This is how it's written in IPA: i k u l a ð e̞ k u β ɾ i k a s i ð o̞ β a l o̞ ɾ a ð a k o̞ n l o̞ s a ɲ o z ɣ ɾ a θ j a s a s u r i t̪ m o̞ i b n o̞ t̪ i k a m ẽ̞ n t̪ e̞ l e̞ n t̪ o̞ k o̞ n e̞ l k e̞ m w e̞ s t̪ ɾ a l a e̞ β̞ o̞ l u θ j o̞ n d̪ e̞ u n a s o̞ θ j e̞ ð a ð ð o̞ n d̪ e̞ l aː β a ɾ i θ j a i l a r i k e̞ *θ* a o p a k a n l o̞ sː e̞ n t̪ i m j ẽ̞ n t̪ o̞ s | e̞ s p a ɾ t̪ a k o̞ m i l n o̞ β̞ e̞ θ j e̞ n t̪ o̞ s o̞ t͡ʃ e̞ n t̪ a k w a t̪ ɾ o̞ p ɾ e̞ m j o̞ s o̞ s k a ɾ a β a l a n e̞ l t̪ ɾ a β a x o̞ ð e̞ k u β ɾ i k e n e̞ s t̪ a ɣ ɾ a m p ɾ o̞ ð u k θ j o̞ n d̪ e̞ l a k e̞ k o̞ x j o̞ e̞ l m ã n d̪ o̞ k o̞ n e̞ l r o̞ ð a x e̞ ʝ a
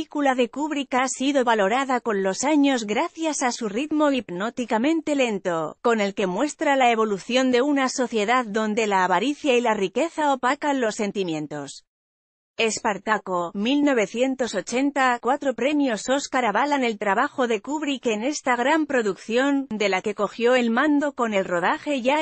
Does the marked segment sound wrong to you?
no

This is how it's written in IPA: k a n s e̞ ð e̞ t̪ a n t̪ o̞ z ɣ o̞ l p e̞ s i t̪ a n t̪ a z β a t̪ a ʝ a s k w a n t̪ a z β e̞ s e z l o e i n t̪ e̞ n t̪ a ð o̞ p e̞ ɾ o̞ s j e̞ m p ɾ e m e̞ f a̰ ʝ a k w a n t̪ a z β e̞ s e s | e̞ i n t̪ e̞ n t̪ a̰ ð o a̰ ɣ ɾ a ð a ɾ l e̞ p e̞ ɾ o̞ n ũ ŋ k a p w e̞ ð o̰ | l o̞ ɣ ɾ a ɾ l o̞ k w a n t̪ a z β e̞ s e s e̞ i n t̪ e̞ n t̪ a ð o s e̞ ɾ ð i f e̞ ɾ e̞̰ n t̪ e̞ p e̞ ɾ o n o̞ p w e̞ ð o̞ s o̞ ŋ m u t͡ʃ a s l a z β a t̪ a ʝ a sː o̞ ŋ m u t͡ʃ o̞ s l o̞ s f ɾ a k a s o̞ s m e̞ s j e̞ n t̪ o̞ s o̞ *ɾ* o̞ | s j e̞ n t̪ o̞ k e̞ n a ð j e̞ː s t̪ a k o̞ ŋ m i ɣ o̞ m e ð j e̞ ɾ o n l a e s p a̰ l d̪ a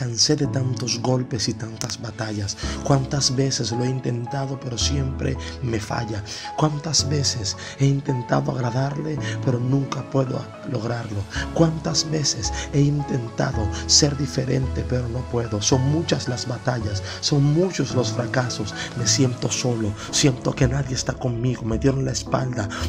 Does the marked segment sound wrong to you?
yes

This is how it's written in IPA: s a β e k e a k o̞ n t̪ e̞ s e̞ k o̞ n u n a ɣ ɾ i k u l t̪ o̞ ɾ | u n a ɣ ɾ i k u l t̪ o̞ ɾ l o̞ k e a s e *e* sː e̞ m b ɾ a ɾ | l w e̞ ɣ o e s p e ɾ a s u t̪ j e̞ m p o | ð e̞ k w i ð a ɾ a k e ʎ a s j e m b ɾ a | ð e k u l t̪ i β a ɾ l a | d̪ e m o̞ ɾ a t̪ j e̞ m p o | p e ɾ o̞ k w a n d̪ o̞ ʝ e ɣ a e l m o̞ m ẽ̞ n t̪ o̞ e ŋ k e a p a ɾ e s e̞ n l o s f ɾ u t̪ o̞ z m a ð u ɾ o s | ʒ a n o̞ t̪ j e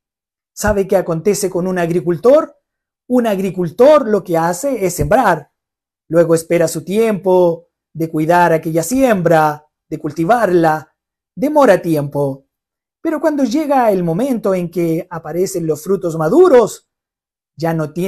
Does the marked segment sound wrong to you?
no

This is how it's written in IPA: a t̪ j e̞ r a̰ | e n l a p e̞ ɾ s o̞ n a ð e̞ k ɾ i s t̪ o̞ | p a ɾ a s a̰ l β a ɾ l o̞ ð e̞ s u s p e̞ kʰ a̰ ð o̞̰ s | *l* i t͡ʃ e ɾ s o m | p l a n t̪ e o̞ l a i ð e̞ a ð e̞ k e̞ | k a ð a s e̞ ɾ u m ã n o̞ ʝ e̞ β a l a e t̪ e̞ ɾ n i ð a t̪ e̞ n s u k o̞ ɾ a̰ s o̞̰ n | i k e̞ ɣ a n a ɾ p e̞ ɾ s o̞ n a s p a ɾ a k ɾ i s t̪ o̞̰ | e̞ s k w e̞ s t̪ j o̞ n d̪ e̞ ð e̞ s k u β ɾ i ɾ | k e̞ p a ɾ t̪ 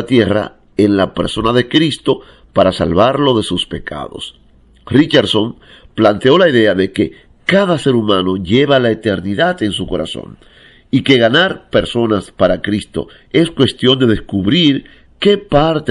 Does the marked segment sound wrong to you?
yes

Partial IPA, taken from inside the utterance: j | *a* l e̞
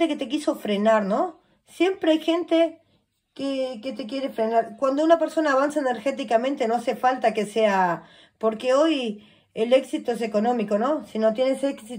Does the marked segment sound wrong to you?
yes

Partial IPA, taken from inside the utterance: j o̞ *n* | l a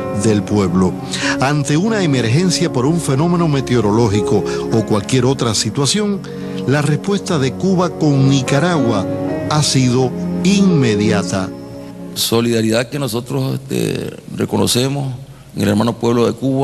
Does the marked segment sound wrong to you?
yes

